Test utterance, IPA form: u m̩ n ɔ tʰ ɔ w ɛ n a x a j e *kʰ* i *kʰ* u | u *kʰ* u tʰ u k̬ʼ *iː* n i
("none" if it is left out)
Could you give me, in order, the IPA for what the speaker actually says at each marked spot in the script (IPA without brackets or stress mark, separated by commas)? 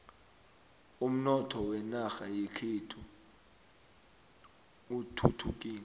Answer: kʰ, tʰ, tʰ, iː